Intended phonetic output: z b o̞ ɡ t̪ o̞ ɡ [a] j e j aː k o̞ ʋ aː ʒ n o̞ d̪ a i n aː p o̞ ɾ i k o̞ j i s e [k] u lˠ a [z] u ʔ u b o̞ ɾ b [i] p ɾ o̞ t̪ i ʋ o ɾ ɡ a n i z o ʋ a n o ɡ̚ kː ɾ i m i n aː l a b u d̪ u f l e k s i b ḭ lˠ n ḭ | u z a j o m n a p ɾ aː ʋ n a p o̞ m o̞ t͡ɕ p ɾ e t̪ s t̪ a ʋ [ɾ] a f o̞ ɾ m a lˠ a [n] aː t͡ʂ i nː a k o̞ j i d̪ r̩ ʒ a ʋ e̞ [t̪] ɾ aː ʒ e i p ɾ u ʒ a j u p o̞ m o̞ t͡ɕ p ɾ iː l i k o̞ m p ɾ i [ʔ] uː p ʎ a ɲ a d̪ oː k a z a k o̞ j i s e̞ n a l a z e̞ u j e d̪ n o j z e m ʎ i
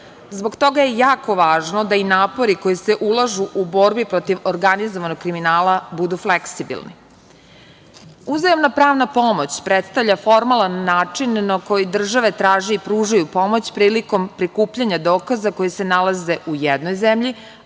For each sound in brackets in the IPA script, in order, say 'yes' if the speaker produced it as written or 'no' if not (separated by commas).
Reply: yes, no, no, yes, no, no, yes, no